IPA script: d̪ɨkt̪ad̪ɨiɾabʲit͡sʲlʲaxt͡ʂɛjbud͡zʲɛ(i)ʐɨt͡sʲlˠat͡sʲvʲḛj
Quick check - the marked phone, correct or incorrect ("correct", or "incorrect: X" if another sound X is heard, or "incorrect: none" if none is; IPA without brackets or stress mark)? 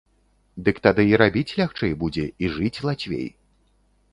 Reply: correct